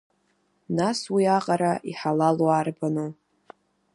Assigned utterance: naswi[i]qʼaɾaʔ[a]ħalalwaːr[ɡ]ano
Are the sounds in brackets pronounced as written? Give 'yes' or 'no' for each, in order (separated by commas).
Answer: no, no, no